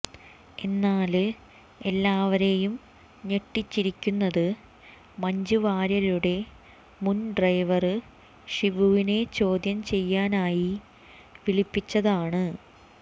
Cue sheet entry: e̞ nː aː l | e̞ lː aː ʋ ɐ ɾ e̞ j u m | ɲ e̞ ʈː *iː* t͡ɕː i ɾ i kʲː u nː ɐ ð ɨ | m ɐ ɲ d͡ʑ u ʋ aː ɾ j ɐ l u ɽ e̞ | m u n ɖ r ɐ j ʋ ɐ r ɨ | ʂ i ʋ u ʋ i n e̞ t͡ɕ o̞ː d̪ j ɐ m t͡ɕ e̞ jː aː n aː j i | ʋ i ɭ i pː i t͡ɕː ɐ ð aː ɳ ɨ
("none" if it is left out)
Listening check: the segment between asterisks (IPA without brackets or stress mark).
i